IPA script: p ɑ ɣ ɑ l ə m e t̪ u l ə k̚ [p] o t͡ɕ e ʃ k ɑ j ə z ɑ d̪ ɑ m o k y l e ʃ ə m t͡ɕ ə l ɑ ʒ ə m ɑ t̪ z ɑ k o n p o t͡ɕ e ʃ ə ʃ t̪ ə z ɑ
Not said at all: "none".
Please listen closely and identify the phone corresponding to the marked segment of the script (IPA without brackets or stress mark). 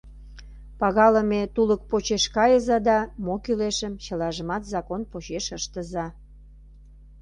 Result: p